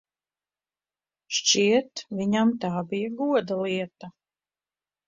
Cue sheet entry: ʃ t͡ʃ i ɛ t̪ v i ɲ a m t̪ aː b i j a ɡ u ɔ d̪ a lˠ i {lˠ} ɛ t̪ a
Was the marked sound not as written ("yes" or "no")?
yes